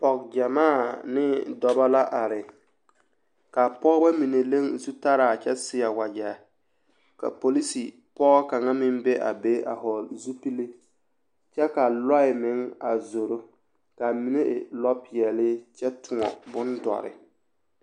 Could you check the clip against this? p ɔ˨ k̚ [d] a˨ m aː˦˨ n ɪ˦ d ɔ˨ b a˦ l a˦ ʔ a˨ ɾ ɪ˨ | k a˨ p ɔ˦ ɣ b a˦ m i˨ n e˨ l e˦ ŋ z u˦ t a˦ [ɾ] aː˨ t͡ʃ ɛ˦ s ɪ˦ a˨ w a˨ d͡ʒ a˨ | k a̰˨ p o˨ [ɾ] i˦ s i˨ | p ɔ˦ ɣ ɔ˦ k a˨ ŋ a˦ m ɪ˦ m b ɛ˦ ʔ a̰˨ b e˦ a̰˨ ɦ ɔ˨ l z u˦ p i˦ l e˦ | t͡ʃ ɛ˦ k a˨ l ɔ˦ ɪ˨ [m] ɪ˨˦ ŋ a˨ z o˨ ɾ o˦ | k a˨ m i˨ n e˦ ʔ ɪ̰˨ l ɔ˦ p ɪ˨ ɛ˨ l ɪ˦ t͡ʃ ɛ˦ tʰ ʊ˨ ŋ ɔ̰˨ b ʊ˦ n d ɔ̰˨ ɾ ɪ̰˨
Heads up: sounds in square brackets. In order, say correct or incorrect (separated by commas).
incorrect, correct, incorrect, correct